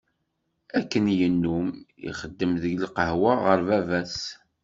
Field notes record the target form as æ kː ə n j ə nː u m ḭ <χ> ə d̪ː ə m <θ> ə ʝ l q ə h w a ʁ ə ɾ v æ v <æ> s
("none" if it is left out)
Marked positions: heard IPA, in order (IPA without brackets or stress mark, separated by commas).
χ, ð, æ